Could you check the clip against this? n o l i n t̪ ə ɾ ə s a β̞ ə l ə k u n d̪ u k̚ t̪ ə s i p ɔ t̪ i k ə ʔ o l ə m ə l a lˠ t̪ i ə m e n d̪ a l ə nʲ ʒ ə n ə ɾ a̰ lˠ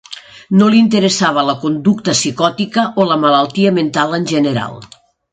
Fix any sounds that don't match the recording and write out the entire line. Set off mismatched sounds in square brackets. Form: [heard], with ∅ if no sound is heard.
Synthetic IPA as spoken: n o l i n t̪ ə ɾ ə s a β̞ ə l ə k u n d̪ u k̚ t̪ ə s i [k] ɔ t̪ i k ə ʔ o l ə m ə l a lˠ t̪ i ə m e n [t̪] a l ə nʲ ʒ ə n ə ɾ a̰ lˠ